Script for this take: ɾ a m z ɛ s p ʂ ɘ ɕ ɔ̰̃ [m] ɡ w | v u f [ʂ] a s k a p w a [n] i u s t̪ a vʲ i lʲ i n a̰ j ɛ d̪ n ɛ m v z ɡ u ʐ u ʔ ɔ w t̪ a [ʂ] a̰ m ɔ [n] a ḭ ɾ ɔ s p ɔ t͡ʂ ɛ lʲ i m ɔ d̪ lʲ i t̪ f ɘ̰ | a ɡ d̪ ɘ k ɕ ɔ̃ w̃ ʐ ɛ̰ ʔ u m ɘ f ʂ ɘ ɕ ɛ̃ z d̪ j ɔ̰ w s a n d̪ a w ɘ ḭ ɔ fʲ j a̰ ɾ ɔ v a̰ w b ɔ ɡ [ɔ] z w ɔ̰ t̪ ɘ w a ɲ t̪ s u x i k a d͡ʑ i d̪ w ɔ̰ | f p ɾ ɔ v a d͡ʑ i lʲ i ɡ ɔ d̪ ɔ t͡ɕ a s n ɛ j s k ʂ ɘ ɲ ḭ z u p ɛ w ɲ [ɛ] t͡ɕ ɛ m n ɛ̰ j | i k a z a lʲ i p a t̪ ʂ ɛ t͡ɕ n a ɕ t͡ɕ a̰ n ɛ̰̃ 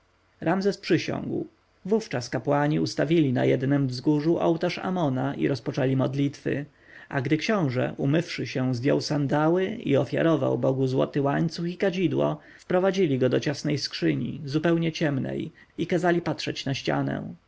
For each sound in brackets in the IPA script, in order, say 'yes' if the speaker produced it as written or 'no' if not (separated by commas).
no, no, no, yes, yes, no, yes